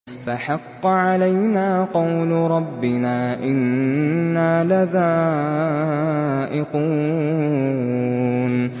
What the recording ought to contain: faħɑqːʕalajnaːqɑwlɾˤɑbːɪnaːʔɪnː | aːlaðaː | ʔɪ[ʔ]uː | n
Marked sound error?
yes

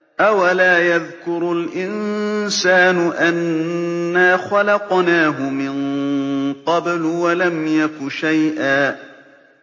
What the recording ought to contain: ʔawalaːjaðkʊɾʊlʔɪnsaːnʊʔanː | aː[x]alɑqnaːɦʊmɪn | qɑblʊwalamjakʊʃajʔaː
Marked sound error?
no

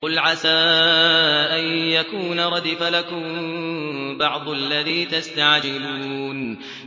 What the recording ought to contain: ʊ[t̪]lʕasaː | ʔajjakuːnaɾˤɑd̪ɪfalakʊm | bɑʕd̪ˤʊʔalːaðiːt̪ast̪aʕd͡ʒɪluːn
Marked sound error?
yes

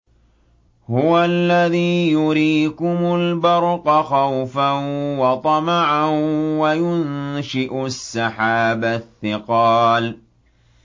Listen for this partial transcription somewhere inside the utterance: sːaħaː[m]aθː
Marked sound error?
yes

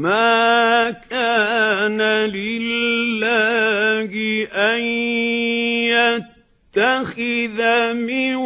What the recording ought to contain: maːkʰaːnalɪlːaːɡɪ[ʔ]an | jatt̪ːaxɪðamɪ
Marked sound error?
no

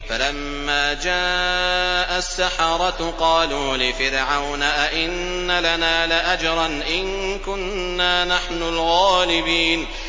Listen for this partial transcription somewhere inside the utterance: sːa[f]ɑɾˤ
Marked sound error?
yes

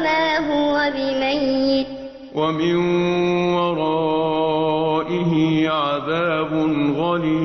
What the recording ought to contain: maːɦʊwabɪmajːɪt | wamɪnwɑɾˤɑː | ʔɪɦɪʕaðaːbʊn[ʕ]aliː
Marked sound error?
yes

